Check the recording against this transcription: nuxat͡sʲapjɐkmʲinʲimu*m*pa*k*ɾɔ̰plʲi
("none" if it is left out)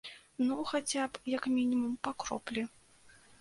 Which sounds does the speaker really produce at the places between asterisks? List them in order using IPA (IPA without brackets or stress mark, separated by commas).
m, k